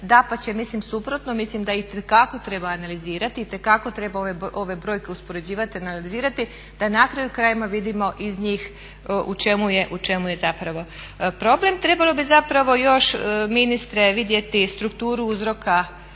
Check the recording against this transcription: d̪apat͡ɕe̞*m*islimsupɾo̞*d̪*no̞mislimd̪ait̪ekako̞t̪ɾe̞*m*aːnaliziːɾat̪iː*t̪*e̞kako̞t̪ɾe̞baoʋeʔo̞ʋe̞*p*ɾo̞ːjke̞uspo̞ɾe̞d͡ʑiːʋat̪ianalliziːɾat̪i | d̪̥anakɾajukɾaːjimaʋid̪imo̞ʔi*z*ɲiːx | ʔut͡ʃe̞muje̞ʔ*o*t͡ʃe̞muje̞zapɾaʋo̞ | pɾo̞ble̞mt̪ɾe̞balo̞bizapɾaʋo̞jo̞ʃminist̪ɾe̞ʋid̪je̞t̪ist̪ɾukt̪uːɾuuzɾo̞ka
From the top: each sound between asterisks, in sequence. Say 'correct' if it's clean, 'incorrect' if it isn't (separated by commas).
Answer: correct, incorrect, incorrect, correct, incorrect, correct, incorrect